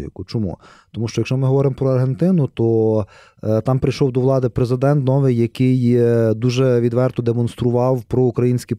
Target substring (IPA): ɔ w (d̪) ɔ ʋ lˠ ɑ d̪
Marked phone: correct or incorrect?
correct